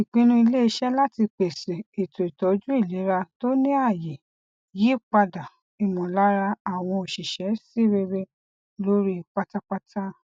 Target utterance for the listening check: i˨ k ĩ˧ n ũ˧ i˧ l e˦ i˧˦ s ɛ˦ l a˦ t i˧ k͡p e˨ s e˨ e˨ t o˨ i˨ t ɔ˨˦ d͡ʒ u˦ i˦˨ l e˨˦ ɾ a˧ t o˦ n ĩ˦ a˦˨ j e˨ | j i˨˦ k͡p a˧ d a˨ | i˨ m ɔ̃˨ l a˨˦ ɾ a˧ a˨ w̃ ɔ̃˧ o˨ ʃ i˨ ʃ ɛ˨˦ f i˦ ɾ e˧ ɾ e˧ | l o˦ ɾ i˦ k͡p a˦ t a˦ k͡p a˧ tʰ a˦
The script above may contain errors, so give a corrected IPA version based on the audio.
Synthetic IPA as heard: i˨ k͡p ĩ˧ n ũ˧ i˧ l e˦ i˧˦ ʃ ɛ˦ l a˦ t i˧ k͡p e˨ s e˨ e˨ t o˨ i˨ t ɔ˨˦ d͡ʒ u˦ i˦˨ l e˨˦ ɾ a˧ t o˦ n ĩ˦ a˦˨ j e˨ | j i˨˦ k͡p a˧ d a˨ | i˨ m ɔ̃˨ l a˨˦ ɾ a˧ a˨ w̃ ɔ̃˧ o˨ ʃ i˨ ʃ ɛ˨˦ s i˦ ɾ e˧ ɾ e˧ | l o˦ ɾ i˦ k͡p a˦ t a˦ k͡p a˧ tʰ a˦